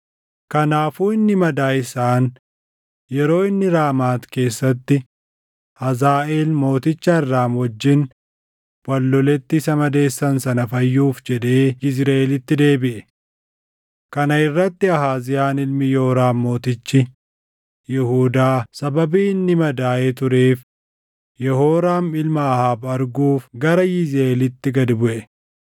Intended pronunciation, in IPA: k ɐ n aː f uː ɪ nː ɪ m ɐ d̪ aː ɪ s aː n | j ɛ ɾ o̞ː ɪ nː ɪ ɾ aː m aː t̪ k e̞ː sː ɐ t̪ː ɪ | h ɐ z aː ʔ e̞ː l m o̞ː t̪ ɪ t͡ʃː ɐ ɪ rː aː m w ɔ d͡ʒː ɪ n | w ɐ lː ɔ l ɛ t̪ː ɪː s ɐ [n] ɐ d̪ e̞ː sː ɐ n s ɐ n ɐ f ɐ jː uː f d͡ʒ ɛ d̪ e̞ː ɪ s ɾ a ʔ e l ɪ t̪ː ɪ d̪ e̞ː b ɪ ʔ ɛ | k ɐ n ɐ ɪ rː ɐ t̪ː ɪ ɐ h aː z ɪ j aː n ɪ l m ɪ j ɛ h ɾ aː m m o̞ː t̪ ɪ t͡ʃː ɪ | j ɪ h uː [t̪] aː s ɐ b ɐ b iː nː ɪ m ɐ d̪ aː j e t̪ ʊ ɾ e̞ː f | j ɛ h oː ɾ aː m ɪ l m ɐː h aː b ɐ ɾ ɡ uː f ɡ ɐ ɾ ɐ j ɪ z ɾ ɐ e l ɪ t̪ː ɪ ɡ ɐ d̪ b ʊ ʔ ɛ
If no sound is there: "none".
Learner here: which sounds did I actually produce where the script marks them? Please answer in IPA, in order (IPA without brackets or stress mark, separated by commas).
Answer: m, d̪